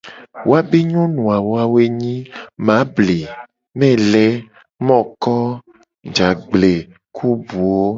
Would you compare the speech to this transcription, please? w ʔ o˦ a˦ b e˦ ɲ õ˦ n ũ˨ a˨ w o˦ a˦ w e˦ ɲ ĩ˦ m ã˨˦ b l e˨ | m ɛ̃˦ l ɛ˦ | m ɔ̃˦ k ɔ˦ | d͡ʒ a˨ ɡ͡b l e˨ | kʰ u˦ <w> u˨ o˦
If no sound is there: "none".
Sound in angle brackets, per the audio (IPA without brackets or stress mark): b